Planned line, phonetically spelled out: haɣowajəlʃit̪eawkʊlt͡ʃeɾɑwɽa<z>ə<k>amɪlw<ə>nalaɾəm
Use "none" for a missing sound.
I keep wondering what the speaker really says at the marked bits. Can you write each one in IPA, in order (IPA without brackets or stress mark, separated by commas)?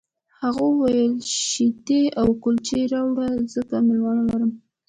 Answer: z, k, ɑ